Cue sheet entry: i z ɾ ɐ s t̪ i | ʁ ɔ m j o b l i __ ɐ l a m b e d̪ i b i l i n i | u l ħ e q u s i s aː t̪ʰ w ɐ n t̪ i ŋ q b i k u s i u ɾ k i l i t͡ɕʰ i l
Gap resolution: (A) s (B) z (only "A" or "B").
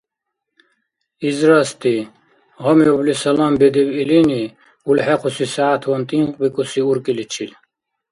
A